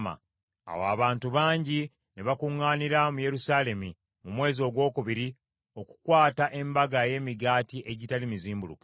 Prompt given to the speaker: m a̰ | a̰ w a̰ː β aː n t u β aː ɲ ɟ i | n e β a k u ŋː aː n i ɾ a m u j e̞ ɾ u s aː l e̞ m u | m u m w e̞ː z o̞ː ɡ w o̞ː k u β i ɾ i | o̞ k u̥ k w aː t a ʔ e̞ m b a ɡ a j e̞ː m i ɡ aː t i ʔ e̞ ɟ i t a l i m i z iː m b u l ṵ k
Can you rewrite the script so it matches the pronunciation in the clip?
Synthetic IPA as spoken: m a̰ | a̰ w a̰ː β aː n t u β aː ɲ ɟ i | n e β a k u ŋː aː n i ɾ a m u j e̞ ɾ u s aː l e̞ m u | m u m w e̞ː z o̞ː ɡ w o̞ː k u β i ɾ i | o̞ k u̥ k w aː t a ʔ e̞ m b a ɡ a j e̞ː m i ɡ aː t i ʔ e̞ ɟ i t a l i m i z iː m b u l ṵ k